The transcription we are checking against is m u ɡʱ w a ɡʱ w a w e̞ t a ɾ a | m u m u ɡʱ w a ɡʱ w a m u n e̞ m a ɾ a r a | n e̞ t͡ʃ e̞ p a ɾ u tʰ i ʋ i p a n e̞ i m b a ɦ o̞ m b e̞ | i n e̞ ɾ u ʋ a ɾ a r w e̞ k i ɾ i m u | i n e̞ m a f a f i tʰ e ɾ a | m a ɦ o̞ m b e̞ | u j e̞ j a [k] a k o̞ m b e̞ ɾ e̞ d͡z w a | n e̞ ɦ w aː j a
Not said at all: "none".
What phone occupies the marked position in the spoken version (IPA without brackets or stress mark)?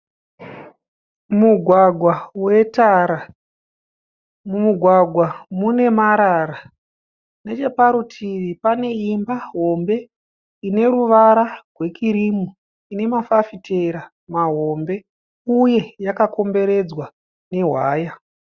k